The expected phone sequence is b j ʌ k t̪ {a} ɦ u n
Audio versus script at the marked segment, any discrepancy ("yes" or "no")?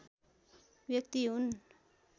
yes